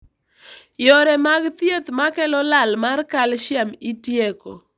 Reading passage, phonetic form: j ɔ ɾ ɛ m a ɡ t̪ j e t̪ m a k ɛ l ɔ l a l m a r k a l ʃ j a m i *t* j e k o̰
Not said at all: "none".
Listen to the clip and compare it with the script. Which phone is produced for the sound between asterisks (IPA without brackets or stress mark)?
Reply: t